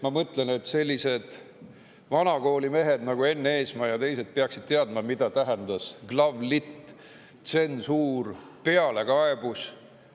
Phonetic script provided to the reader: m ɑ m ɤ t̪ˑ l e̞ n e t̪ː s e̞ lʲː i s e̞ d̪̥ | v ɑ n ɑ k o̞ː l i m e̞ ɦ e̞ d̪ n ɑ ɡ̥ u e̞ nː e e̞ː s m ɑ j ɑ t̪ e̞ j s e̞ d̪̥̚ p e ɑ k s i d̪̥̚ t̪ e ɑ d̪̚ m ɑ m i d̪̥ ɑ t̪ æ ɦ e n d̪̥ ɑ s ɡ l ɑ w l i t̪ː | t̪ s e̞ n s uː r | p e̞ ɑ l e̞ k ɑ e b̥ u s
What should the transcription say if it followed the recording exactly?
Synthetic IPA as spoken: m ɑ m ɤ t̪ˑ l e̞ n e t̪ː s e̞ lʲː i s e̞ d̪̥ | v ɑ n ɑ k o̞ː l i m e̞ ɦ e̞ d̪ n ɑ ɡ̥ u e̞ nː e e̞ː s m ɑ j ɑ t̪ e̞ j s e̞ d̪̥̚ p e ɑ k s i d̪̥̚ t̪ e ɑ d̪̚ m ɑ m i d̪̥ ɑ t̪ æ ɦ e n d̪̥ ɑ s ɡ l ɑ v l i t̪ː | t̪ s e̞ n s uː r | p e̞ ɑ l e̞ k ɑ e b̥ u s